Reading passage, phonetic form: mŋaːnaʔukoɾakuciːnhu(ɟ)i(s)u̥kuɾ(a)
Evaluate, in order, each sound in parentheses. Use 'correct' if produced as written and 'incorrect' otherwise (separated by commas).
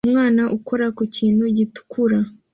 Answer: correct, incorrect, correct